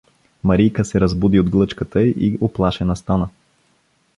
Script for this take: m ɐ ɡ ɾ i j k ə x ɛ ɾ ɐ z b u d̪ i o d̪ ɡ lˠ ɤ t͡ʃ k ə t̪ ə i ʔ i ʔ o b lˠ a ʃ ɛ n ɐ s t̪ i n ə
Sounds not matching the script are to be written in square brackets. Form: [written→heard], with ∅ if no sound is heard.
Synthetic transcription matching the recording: m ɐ [ɡ→∅] ɾ i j k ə [x→s] ɛ ɾ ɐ z b u d̪ i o d̪ ɡ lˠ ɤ t͡ʃ k ə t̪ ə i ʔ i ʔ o [b→p] lˠ a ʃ ɛ n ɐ s t̪ [i→a] n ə